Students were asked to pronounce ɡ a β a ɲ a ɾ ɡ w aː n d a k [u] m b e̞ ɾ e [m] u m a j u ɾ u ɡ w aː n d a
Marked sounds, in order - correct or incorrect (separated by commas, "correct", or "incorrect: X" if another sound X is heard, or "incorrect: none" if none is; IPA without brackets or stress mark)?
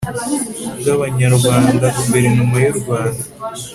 correct, incorrect: n